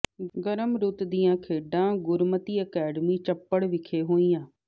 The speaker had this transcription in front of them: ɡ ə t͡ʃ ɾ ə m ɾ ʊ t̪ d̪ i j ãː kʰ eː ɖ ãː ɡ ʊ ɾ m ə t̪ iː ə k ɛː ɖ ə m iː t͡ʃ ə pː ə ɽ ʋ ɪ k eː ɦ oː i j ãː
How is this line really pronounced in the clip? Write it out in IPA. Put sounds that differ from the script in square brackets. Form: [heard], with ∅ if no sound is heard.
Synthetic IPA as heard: ɡ ə [∅] ɾ ə m ɾ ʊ t̪ d̪ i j ãː kʰ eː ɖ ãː ɡ ʊ ɾ m ə t̪ iː ə k ɛː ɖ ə m iː t͡ʃ ə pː ə ɽ ʋ ɪ [kʰ] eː ɦ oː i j ãː